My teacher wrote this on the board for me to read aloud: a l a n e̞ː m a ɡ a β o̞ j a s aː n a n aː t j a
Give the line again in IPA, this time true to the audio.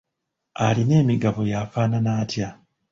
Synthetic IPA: a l i n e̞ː m i ɡ a β o̞ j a f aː n a n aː t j a